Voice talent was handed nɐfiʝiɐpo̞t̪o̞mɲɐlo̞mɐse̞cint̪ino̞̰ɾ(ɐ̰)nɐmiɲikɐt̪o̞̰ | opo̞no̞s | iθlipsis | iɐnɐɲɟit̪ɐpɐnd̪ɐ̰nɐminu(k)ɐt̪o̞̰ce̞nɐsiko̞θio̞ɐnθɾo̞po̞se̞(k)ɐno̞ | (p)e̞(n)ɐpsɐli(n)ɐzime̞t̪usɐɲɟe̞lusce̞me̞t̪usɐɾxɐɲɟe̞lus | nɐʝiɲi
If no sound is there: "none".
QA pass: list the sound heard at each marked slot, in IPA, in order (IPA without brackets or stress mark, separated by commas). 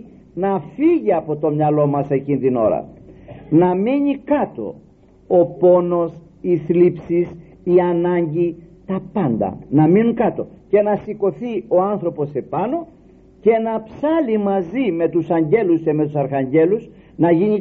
ɐ̰, k, p, c, n, m